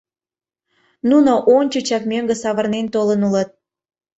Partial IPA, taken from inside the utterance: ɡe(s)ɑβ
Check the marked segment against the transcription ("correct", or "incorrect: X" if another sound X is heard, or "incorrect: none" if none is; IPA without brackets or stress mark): correct